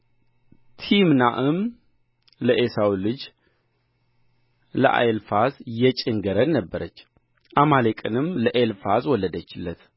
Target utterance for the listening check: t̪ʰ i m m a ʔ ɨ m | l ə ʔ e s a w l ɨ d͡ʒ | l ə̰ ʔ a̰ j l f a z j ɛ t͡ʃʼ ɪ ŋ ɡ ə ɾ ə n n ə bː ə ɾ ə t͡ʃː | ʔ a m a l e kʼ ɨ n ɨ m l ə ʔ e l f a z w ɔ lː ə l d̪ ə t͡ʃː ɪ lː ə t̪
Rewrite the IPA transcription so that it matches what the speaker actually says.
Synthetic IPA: t̪ʰ i m n a ʔ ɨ m | l ə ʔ e s a w l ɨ d͡ʒ | l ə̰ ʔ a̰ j l f a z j ɛ t͡ʃʼ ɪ ŋ ɡ ə ɾ ə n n ə bː ə ɾ ə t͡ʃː | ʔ a m a l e kʼ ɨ n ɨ m l ə ʔ e l f a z w ɔ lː ə d̪ ə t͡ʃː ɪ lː ə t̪